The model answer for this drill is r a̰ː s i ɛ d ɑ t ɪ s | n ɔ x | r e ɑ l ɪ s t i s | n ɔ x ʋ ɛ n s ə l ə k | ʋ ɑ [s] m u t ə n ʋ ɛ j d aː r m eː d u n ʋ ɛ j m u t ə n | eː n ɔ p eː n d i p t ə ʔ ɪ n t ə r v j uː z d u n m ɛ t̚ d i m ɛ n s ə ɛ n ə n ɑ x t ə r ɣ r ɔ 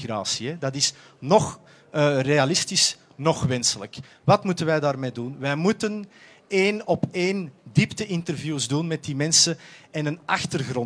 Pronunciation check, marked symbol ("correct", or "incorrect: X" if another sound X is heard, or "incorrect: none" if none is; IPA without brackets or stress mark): incorrect: t